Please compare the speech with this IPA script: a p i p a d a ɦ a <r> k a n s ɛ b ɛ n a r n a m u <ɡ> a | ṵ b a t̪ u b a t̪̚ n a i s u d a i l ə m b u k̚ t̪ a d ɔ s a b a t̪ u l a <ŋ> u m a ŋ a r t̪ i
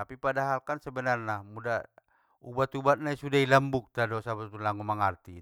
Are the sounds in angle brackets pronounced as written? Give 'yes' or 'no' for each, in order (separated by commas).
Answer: no, no, yes